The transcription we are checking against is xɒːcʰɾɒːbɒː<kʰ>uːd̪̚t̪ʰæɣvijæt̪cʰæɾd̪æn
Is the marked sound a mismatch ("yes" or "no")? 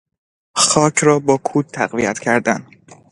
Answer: no